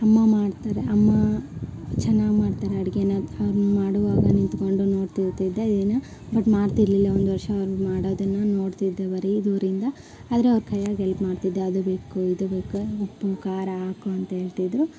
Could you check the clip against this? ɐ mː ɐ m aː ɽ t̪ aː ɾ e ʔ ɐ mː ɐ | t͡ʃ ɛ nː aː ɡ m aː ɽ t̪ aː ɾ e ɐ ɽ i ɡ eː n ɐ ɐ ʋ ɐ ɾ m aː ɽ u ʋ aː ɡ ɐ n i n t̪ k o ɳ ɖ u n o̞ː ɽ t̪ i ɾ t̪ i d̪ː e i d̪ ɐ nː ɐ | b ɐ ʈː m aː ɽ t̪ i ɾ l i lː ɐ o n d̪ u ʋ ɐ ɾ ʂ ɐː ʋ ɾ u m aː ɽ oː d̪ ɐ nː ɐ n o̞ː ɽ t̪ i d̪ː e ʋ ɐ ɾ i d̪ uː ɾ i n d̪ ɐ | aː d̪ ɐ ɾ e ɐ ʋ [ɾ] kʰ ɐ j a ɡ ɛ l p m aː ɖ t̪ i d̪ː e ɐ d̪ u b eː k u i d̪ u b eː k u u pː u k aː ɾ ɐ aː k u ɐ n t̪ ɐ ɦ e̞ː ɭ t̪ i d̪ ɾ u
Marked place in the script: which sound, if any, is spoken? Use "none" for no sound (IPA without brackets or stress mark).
ɾ